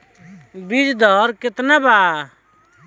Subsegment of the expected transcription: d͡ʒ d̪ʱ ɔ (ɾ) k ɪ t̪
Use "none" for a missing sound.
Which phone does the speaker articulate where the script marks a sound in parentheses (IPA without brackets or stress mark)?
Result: ɾ